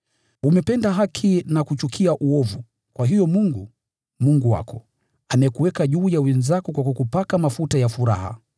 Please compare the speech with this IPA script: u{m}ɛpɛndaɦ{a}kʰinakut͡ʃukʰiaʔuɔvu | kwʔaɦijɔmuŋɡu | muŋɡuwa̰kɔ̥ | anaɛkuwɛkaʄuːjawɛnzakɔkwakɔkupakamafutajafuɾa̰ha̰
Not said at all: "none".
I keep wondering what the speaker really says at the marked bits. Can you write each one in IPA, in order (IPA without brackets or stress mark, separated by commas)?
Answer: m, a